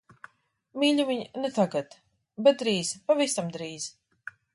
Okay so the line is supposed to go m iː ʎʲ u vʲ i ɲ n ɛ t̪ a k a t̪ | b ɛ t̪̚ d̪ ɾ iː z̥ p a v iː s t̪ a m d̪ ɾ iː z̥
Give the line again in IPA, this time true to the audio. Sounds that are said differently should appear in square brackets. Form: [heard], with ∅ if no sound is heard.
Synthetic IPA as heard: m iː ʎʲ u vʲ i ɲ n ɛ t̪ a [ɡ] a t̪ | b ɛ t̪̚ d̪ ɾ iː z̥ p a v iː s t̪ a m d̪ ɾ iː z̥